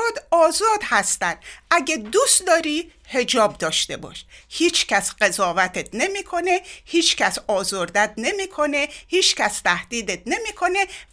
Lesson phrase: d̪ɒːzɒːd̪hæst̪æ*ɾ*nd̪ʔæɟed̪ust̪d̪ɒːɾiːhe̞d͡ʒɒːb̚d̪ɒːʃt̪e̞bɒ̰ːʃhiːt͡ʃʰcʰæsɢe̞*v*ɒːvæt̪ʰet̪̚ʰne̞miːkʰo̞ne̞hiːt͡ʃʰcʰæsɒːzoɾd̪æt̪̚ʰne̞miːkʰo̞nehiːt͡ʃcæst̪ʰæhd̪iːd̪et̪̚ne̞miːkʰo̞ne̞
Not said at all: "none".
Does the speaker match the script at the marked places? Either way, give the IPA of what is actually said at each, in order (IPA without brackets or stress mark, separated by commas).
none, z